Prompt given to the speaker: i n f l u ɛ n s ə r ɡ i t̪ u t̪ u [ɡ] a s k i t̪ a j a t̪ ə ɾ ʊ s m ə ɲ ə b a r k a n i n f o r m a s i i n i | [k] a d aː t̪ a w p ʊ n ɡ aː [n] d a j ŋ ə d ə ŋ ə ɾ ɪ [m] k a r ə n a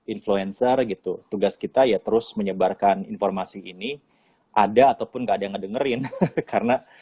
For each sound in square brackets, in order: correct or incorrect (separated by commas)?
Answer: correct, incorrect, incorrect, incorrect